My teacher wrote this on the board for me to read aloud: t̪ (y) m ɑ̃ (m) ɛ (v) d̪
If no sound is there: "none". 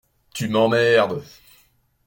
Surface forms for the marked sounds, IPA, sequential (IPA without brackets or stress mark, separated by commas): y, m, ʁ